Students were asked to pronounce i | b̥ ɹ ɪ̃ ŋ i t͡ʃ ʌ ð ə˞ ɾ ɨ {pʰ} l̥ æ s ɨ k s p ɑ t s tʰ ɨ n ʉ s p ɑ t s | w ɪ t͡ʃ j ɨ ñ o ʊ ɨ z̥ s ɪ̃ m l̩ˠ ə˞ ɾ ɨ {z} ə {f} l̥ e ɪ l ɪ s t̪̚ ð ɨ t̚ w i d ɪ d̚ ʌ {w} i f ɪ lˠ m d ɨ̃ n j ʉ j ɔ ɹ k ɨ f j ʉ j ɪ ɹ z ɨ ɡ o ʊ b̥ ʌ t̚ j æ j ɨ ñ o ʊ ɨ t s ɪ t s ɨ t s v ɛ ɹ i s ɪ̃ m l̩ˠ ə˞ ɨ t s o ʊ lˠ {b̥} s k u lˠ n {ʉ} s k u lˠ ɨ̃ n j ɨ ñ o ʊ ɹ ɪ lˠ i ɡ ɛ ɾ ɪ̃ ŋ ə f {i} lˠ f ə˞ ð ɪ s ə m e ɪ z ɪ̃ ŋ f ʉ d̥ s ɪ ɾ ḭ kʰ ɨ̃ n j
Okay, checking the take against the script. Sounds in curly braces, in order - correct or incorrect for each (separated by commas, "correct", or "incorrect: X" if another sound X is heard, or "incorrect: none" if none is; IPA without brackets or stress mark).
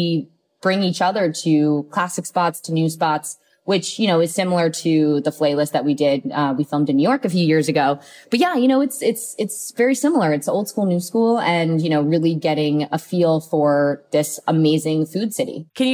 incorrect: kʰ, incorrect: ð, correct, correct, incorrect: d̥, correct, correct